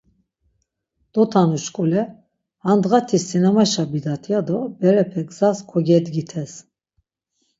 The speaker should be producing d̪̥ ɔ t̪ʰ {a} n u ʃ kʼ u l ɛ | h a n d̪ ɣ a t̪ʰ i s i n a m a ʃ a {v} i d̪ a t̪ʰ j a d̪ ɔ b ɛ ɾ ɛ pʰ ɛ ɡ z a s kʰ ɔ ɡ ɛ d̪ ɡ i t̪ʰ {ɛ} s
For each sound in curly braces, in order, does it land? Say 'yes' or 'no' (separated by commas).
yes, no, yes